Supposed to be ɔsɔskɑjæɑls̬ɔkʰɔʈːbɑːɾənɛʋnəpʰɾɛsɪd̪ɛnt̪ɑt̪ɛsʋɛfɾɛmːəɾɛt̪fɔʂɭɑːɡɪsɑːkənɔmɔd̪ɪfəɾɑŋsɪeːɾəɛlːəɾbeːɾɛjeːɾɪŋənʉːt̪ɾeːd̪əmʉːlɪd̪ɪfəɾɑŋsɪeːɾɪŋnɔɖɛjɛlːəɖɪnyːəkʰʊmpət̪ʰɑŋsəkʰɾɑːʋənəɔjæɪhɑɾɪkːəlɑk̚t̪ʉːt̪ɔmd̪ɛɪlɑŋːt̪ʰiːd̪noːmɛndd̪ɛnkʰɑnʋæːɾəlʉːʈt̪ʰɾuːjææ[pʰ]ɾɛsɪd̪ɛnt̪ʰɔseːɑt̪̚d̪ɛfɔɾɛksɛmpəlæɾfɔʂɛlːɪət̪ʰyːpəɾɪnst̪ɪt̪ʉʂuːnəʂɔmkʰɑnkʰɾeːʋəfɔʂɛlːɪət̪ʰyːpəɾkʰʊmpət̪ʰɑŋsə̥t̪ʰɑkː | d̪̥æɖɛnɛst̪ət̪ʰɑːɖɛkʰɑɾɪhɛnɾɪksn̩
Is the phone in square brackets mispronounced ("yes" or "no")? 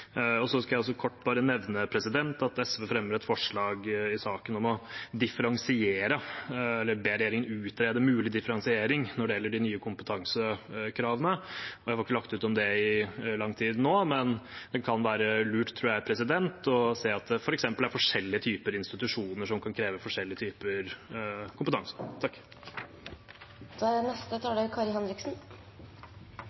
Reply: no